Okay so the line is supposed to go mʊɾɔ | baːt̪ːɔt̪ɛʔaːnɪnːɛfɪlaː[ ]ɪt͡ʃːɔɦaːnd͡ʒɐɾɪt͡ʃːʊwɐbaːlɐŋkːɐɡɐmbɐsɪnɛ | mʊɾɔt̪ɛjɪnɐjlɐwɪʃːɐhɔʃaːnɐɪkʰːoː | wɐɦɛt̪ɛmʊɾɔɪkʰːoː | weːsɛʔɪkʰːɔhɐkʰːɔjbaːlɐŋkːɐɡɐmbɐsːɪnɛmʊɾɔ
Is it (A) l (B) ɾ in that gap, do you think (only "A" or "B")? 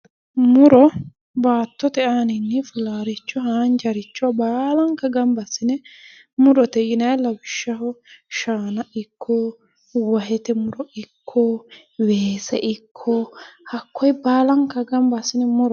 B